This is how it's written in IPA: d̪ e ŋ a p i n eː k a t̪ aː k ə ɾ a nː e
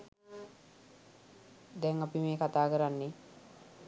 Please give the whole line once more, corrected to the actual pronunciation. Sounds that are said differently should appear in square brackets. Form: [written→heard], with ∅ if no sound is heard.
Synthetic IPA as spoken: d̪ [e→ɛ] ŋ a p i [n→m] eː k a t̪ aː k ə ɾ a nː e

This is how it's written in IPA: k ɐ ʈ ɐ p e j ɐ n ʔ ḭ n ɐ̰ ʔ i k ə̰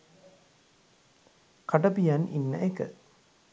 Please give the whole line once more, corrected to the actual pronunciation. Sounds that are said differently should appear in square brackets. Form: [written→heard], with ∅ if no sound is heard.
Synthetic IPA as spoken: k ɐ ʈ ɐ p [e→i] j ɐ n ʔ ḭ [n→nː] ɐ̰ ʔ [i→e] k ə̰

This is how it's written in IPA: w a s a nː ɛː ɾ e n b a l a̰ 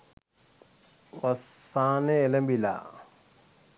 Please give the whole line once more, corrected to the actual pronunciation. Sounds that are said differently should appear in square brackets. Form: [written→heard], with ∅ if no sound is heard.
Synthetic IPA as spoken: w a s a [nː→n] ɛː [ɾ→l] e [n→m] b [a→i] l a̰

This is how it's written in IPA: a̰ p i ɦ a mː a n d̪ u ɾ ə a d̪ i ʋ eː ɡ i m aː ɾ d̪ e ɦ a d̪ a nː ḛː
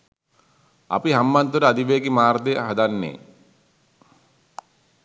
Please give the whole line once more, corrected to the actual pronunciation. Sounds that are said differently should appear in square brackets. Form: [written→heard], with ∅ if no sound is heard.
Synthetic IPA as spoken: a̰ p i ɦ a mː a n [d̪→t̪] u ɾ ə a d̪ i ʋ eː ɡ i m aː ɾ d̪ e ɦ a d̪ a nː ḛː

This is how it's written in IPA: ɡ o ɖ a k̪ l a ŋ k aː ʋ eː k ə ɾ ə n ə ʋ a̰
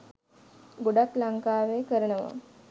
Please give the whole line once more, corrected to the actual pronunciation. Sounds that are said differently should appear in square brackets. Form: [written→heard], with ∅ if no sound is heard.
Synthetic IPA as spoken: ɡ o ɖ a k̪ l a ŋ k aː ʋ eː k ə ɾ ə n ə ʋ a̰

